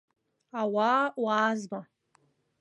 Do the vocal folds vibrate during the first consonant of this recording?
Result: yes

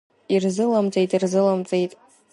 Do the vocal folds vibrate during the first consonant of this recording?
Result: yes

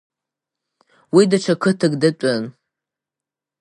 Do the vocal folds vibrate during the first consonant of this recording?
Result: yes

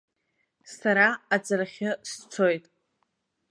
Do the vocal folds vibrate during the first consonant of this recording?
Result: no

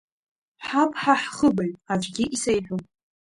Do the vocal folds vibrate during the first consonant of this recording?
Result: no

